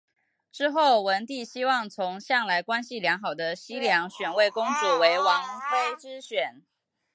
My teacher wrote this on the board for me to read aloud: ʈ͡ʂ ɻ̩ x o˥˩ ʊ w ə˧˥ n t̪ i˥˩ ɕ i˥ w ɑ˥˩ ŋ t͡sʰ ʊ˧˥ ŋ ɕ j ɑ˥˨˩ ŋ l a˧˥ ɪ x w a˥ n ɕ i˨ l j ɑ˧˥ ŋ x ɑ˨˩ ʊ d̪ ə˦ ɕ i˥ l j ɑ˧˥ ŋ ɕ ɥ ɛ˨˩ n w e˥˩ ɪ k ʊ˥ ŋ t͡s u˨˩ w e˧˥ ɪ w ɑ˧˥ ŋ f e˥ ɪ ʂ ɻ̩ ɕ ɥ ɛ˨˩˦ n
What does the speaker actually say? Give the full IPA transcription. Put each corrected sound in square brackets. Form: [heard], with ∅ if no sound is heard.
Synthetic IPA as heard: ʈ͡ʂ ɻ̩ x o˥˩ ʊ w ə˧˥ n t̪ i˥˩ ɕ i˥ w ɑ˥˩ ŋ t͡sʰ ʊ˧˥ ŋ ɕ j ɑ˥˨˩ ŋ l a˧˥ ɪ [k] w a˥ n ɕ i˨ l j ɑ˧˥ ŋ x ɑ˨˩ ʊ d̪ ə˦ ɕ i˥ l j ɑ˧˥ ŋ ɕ ɥ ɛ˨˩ n w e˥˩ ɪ k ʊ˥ ŋ t͡s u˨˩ w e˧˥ ɪ w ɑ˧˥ ŋ f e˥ ɪ [ʈ͡ʂ] ɻ̩ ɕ ɥ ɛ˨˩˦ n